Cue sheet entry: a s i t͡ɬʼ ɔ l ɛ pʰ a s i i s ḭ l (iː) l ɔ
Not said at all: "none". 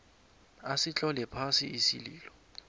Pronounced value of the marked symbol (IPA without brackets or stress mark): iː